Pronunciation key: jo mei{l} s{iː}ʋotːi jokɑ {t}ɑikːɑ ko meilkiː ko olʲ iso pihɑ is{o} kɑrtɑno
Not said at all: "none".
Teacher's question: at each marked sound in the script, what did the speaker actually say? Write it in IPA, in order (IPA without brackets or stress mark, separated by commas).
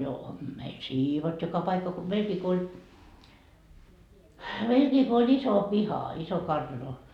l, iː, p, o